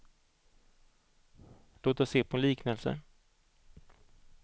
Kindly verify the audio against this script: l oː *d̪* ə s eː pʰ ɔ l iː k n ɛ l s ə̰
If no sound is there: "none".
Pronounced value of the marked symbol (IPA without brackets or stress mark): t̪